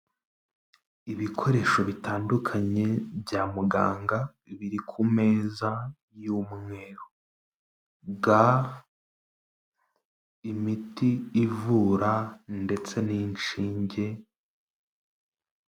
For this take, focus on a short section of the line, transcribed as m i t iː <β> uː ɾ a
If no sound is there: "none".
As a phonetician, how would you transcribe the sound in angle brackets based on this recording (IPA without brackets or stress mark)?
v